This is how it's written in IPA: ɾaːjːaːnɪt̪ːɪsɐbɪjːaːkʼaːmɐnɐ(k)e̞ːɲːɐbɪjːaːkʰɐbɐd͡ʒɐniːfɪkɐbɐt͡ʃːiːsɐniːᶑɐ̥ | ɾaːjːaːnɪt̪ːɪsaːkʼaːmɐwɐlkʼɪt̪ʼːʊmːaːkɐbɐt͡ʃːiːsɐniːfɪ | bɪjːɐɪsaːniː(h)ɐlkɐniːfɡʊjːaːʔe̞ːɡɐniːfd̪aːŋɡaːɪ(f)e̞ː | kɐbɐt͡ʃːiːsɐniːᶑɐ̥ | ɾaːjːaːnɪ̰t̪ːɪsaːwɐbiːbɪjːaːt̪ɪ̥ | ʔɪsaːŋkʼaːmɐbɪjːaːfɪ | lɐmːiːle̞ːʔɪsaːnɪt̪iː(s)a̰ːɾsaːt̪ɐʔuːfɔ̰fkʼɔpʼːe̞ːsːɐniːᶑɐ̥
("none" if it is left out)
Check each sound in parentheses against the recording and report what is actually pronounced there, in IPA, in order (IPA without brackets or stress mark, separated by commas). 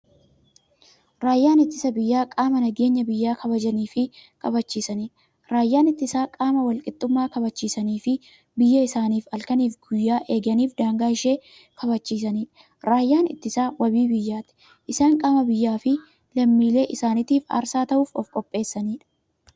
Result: ɡ, f, ʃ, f